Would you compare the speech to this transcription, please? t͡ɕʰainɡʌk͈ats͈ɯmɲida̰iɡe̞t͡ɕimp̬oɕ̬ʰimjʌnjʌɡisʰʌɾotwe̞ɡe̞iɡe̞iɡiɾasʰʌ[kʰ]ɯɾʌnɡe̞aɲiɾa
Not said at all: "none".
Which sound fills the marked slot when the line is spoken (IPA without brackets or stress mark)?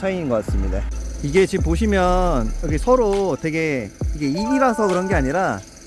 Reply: k